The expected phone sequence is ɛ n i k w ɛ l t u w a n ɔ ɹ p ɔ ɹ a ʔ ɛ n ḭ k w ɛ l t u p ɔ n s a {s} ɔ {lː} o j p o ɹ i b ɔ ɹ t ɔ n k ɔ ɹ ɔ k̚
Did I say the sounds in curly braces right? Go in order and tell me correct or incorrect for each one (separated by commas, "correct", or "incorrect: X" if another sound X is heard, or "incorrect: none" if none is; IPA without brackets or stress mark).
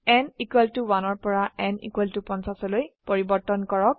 correct, incorrect: l